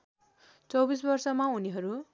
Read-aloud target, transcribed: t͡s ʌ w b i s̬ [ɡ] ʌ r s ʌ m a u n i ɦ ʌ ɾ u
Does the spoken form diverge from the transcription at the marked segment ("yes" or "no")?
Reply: yes